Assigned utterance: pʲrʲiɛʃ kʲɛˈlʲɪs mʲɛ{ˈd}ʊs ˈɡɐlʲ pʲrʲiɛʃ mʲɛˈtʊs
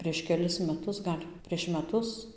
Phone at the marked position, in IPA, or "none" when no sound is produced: t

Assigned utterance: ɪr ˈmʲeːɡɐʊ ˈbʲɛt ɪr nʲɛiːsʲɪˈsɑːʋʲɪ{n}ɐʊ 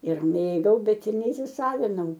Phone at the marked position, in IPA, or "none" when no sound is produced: n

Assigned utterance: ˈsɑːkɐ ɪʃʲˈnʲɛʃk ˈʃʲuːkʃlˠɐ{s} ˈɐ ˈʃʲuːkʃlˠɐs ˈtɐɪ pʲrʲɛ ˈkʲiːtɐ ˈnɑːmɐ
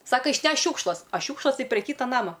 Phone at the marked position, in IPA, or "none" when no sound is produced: s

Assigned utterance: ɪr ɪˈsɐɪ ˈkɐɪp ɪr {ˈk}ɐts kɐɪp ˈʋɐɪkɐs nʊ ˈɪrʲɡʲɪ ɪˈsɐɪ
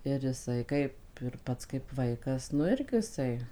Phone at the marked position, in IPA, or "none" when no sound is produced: p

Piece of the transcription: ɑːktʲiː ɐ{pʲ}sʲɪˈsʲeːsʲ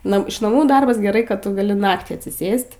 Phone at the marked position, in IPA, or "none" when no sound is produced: tʲ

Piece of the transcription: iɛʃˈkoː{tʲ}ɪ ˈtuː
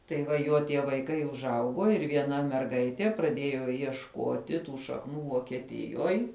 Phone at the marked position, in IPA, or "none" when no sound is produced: tʲ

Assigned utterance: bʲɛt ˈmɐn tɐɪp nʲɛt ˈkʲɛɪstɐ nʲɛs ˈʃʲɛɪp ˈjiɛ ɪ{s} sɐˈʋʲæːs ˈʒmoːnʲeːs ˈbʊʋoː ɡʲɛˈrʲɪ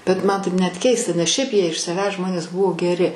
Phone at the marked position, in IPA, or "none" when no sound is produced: ʃ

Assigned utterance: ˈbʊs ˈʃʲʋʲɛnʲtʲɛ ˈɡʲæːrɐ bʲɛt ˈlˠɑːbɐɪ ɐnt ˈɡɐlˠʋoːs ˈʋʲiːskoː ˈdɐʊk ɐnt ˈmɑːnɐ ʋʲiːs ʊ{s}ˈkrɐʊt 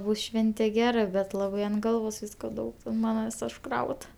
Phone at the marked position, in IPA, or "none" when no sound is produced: ʃ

